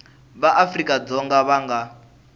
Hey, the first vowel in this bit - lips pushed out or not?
no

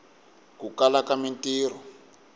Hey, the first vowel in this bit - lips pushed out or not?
yes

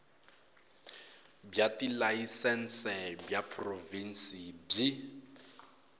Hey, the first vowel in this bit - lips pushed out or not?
no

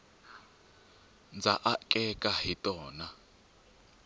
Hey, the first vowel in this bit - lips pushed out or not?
no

